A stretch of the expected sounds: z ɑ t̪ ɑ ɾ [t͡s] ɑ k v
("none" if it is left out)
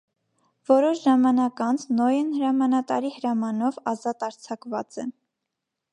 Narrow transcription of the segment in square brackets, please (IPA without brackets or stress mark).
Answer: t͡sʰ